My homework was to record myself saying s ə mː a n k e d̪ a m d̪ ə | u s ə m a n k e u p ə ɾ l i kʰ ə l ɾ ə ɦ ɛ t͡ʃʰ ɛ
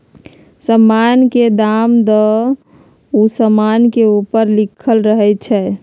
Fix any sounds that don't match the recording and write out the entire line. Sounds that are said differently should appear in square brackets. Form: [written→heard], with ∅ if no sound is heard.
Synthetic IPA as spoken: s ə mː a n k e d̪ a m d̪ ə | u s ə m a n k e u p ə ɾ l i kʰ ə l ɾ ə ɦ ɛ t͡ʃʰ ɛ